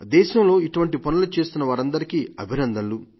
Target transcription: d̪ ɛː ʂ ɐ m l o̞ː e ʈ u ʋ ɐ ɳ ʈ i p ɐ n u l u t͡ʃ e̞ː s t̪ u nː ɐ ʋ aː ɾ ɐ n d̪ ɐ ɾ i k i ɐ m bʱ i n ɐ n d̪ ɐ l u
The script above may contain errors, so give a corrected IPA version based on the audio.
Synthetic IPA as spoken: d̪ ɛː ʃ ɐ m l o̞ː i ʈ u ʋ ɐ ɳ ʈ i p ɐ n u l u t͡ʃ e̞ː s t̪ u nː ɐ ʋ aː ɾ ɐ n d̪ ɐ ɾ i k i ɐ bʱ i n ɐ n d̪ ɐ l u